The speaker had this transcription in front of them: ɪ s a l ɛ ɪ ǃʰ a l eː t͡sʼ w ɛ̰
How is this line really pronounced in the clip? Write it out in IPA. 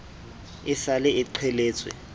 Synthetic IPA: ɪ s a l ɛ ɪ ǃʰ ɛ l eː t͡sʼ w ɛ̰